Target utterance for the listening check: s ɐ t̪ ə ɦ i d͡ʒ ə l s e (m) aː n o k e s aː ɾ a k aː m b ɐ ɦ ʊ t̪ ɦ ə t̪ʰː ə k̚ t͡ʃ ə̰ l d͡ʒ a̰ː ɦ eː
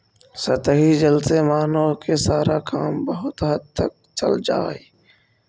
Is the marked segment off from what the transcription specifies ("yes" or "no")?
no